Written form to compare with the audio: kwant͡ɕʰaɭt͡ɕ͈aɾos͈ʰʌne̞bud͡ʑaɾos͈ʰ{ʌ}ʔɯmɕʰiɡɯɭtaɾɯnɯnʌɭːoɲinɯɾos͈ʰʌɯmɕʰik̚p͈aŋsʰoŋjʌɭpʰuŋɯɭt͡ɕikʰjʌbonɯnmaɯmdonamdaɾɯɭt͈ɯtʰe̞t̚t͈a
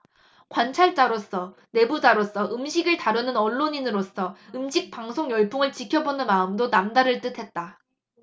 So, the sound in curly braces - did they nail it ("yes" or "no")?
yes